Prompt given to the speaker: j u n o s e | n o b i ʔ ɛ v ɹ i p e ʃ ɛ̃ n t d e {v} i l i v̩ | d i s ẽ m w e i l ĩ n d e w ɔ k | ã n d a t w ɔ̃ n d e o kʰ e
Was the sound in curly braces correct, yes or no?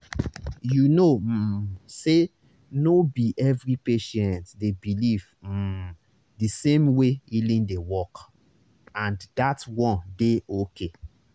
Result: no